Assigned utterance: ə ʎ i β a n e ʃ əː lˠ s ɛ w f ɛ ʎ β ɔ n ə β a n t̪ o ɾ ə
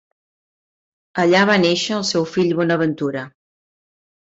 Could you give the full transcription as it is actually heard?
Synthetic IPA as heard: ə ʎ a β a n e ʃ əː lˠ s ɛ w f i ʎ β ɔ n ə β ə n t̪ u ɾ ə